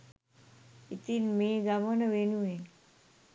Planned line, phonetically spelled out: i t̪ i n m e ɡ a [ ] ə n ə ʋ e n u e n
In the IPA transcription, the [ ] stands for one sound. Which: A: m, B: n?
A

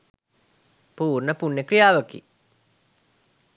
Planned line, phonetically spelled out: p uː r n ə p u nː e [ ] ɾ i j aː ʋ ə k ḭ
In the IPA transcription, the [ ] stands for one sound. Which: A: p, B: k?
B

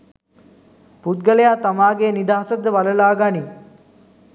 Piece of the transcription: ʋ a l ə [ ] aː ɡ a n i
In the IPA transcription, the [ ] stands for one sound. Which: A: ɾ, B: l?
B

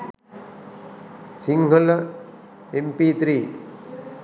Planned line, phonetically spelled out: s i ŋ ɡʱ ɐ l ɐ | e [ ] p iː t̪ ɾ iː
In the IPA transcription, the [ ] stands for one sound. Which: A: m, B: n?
A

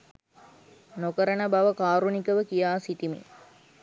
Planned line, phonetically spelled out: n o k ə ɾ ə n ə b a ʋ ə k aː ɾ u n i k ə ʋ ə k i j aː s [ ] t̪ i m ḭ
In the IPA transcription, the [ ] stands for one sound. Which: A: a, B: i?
B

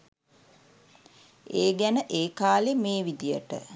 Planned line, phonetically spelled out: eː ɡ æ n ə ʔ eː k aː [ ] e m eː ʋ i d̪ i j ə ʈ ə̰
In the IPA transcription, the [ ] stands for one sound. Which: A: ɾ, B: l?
B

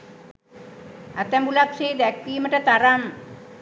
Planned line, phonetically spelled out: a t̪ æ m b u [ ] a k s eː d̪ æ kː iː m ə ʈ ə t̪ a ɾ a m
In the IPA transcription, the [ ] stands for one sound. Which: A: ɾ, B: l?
B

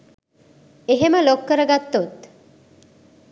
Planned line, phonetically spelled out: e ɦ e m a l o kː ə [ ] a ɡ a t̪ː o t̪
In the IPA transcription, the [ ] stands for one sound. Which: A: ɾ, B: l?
A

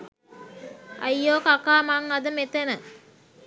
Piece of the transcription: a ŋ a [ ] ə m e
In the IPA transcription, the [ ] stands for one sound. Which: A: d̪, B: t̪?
A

